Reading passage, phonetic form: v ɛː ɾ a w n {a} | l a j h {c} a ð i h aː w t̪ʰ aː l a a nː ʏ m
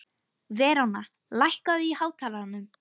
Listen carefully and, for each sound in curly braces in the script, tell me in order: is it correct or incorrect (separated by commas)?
correct, incorrect